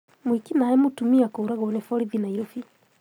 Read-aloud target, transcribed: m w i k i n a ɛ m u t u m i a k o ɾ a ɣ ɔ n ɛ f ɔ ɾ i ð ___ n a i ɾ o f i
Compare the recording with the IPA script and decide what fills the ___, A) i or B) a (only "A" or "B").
A